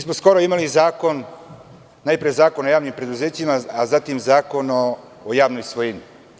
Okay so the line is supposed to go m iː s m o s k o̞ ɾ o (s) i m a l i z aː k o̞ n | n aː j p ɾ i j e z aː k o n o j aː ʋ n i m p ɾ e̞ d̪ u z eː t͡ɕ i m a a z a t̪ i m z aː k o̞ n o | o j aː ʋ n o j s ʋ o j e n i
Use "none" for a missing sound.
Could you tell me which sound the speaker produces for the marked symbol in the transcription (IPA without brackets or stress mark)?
none